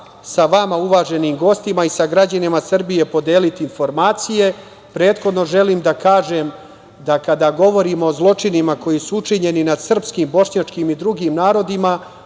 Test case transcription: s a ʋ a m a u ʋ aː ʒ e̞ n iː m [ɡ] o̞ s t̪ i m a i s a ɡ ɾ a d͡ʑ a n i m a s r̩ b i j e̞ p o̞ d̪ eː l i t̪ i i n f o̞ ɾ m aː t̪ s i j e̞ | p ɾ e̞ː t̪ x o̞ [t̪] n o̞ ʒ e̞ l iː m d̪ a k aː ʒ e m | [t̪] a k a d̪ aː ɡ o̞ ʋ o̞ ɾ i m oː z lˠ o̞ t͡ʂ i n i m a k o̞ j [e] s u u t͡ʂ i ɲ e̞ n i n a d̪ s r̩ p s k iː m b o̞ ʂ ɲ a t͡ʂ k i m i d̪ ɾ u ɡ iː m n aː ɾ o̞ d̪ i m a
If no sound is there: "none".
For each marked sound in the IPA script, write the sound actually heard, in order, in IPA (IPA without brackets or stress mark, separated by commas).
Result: ɡ, d̪, d̪, i